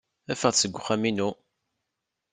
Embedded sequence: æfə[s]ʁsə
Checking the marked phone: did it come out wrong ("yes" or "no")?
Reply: yes